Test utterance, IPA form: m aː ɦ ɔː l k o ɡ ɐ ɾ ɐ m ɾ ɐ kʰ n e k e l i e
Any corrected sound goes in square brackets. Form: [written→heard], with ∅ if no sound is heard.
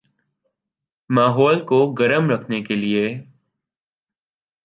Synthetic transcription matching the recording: m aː ɦ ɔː l k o ɡ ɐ ɾ [ɐ→ə] m ɾ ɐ kʰ n e k e l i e

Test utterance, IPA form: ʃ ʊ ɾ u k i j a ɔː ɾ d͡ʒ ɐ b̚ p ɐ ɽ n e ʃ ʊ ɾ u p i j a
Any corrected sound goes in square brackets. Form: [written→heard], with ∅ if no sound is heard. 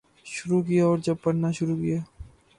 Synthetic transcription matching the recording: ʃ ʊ ɾ u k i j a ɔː ɾ d͡ʒ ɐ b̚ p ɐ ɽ n [e→a] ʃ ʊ ɾ u [p→k] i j a

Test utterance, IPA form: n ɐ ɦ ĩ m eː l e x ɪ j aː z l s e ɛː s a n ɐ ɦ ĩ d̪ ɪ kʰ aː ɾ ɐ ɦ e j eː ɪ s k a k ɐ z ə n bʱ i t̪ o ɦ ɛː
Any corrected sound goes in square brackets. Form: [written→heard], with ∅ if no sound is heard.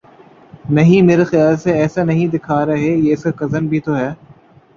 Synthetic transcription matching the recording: n ɐ ɦ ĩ m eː [l→ɾ] e x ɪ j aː [z→∅] l s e ɛː s a n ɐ ɦ ĩ d̪ ɪ kʰ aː ɾ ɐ ɦ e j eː ɪ s k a k ɐ z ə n bʱ i t̪ o ɦ ɛː

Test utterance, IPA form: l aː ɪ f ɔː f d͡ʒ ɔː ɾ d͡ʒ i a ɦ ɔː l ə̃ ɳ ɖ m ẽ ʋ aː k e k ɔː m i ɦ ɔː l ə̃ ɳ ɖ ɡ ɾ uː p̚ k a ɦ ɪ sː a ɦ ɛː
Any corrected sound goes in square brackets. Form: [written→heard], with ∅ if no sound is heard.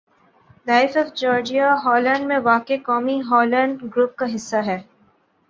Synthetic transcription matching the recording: l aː ɪ f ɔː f d͡ʒ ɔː ɾ d͡ʒ i a ɦ ɔː l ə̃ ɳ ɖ m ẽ ʋ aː k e k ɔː m i ɦ ɔː l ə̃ ɳ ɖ ɡ ɾ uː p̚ k a ɦ ɪ sː a ɦ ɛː

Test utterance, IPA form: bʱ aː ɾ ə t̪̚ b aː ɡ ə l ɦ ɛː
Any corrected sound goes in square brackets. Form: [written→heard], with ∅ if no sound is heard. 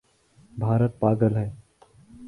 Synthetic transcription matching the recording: bʱ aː ɾ ə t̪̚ [b→p] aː ɡ ə l ɦ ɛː

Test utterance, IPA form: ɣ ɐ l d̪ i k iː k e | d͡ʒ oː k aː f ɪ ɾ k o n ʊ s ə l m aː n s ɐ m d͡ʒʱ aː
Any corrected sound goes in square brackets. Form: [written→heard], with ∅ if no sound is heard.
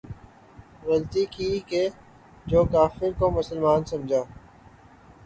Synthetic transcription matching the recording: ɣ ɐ l [d̪→t̪] i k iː k e | d͡ʒ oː k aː f ɪ ɾ k o [n→m] ʊ s ə l m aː n s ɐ m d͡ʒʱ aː

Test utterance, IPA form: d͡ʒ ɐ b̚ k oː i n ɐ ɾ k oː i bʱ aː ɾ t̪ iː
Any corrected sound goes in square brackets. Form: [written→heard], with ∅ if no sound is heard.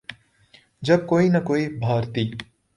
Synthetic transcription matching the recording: d͡ʒ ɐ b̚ k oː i n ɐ [ɾ→∅] k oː i bʱ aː ɾ t̪ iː

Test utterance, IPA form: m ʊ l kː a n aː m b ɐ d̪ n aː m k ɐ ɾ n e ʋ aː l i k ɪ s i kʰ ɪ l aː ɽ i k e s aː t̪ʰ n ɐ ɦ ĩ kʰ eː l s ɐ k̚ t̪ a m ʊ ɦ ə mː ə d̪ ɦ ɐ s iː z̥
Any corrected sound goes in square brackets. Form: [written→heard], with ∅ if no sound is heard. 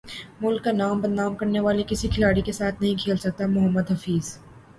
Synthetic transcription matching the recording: m ʊ l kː a n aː m b ɐ d̪ n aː m k ɐ ɾ n e ʋ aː l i k ɪ s i kʰ ɪ l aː ɽ i k e s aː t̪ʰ n ɐ ɦ ĩ kʰ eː l s ɐ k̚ t̪ a m ʊ ɦ ə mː ə d̪ ɦ ɐ [s→f] iː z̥

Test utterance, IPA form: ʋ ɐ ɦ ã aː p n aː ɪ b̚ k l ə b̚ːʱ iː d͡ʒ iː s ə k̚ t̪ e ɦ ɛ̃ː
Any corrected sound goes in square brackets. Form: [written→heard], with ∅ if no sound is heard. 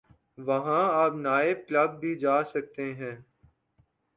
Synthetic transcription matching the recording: ʋ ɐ ɦ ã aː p n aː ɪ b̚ k l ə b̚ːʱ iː d͡ʒ [iː→aː] s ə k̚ t̪ e ɦ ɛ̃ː

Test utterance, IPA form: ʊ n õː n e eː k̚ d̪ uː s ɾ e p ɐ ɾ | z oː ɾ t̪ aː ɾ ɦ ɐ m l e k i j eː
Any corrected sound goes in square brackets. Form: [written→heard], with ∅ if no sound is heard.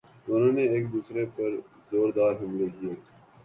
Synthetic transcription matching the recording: ʊ n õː n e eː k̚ d̪ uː s ɾ e p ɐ ɾ | z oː ɾ [t̪→d̪] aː ɾ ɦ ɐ m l e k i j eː

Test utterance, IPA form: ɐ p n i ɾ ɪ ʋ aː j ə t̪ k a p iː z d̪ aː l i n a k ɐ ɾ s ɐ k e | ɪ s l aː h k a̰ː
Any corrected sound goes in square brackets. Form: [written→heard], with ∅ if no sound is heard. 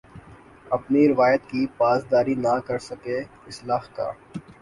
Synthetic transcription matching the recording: ɐ p n i ɾ ɪ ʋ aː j ə t̪ k [a→i] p [iː→aː] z d̪ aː [l→ɾ] i n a k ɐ ɾ s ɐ k e | ɪ s l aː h k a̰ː

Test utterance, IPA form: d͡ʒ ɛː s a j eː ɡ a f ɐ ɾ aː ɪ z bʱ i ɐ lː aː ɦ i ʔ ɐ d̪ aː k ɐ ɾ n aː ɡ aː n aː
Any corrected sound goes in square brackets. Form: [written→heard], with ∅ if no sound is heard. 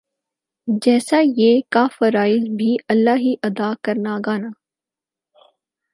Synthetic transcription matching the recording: d͡ʒ ɛː s a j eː [ɡ→k] a f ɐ ɾ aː ɪ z bʱ i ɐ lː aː ɦ i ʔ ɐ d̪ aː k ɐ ɾ n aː ɡ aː n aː

